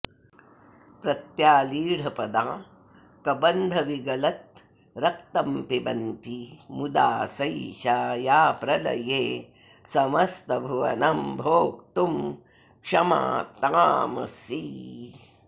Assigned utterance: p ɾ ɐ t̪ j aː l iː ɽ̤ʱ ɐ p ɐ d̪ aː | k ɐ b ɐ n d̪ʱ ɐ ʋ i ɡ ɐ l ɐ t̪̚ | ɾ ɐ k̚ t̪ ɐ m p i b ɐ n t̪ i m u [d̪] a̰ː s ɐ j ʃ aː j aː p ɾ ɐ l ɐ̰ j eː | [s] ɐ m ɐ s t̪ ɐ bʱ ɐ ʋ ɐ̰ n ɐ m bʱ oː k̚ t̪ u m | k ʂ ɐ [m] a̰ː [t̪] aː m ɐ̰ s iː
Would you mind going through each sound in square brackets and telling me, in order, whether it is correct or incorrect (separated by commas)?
correct, correct, correct, correct